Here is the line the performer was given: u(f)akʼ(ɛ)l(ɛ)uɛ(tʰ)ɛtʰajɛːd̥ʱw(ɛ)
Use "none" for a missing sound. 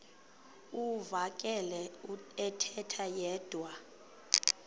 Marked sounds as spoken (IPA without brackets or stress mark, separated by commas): v, ɛ, ɛ, tʰ, a